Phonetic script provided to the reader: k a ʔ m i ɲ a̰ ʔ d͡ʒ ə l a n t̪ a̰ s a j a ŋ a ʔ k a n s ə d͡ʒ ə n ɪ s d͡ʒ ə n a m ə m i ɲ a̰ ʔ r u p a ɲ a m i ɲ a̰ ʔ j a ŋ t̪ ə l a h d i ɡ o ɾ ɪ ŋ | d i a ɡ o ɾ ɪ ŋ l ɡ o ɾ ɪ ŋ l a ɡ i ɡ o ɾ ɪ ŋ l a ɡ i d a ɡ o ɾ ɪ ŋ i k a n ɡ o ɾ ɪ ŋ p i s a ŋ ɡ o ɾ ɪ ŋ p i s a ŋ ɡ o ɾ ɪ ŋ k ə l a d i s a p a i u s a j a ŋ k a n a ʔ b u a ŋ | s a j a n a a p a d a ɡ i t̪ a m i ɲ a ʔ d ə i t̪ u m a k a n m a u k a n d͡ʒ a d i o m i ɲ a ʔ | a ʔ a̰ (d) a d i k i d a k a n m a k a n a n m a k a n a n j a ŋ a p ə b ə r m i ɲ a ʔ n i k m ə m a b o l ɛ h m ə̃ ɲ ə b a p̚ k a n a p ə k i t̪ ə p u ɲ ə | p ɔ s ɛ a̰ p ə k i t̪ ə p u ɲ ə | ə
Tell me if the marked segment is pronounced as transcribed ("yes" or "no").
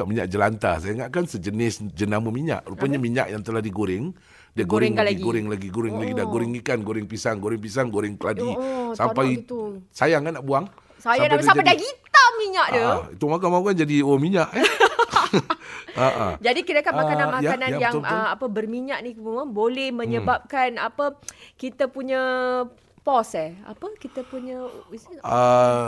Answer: no